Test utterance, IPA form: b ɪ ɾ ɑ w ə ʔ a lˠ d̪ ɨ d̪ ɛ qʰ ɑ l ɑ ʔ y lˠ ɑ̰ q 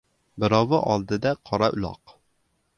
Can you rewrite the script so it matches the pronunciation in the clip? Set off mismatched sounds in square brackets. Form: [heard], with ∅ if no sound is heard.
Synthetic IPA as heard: b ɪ ɾ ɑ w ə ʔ [ɑ] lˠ d̪ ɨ d̪ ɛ qʰ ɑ [ɾ] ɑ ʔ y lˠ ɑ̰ q